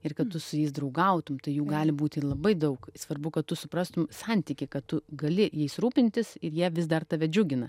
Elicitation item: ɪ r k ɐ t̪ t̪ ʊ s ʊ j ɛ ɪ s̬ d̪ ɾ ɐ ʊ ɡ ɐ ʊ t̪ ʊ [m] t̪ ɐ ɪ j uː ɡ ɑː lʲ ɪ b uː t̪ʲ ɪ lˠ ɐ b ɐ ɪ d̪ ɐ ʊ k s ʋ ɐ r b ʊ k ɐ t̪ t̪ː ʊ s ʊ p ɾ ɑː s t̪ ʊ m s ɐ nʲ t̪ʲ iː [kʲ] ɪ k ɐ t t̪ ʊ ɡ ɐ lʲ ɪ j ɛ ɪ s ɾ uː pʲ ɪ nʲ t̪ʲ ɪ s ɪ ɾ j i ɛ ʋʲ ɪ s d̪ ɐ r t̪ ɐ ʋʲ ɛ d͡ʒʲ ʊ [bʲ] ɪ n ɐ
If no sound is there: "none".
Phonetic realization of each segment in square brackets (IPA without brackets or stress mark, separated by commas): m, kʲ, ɡʲ